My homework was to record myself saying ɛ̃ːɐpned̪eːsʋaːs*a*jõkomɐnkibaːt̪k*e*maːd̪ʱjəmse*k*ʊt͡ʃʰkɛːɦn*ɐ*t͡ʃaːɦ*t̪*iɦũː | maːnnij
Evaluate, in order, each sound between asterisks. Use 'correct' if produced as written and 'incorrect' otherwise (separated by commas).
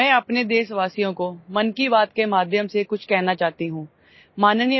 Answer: incorrect, correct, correct, incorrect, correct